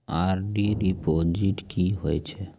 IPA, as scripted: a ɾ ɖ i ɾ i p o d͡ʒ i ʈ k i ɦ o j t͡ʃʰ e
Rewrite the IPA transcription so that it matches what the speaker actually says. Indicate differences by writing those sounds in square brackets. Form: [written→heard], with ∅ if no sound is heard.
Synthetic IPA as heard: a ɾ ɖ i ɾ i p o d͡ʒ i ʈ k i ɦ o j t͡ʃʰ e